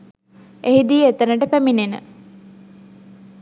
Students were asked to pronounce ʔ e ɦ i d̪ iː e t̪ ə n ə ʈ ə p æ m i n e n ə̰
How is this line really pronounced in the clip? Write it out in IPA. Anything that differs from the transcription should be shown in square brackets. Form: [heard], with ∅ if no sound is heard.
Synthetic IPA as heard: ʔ e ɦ i d̪ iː e t̪ ə n ə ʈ ə p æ m i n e n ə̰